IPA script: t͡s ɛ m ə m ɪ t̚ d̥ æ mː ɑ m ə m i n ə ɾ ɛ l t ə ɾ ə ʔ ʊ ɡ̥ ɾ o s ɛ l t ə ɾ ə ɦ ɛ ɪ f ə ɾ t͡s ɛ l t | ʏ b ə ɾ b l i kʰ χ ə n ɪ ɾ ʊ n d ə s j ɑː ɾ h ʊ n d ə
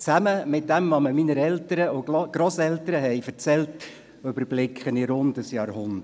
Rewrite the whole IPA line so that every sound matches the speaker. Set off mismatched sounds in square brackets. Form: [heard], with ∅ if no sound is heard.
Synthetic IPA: t͡s [æ] m ə m ɪ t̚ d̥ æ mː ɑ m ə m i n ə ɾ ɛ l t ə ɾ ə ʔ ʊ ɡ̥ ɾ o s ɛ l t ə ɾ ə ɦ ɛ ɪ f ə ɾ t͡s ɛ l t | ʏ b ə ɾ b l [ɪ] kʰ χ ə n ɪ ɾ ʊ n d ə s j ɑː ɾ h ʊ n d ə